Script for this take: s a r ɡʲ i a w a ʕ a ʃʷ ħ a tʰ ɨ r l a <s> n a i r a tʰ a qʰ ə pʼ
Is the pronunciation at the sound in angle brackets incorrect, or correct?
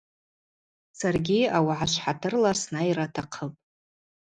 correct